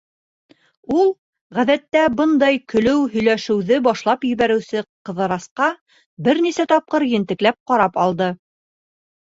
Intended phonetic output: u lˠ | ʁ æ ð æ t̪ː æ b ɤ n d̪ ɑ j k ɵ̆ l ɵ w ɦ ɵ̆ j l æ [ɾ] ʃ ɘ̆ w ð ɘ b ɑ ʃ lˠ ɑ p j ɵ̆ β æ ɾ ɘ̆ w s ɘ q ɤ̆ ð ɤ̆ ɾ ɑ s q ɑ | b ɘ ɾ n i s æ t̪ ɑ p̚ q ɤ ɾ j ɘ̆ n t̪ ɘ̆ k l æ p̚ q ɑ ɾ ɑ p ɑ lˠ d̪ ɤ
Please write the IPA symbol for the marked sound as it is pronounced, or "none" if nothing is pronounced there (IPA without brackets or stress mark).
none